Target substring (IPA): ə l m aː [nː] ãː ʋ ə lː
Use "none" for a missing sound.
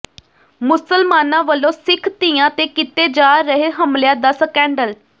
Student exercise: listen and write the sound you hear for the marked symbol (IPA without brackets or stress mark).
n